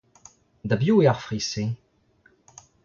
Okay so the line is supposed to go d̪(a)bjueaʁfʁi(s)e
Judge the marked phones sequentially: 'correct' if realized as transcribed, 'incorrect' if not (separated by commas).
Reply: correct, correct